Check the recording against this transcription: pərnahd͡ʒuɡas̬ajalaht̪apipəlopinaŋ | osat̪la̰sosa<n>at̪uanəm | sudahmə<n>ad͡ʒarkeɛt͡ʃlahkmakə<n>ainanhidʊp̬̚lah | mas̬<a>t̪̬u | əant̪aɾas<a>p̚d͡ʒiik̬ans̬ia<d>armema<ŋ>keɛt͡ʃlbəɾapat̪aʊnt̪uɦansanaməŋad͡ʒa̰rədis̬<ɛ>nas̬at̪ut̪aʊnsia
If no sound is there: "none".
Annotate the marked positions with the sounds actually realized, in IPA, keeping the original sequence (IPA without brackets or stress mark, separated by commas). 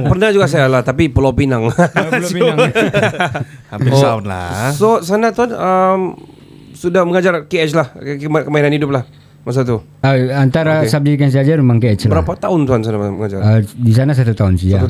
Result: n, ŋ, m, a, a, d͡ʒ, ŋ, a